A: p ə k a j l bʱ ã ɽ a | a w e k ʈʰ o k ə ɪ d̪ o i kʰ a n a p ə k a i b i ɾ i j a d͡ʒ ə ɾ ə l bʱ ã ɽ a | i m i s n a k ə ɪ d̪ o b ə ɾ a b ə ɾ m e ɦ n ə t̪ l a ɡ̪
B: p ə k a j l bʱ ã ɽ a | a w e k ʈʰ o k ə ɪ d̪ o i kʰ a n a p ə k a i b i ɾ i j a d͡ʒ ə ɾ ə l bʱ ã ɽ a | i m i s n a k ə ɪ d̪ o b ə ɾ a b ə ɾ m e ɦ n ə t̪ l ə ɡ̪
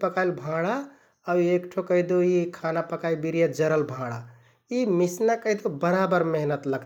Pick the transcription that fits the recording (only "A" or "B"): B